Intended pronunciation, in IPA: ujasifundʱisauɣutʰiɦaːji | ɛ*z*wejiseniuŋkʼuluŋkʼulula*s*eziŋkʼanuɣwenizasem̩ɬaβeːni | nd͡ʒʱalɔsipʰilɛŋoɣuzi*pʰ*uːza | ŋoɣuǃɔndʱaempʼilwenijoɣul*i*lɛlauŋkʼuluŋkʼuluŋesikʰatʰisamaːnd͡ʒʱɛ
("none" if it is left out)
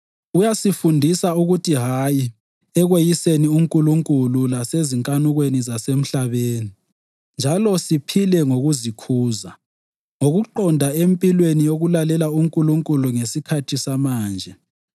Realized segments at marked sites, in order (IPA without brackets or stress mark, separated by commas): ɣ, s, kʰ, a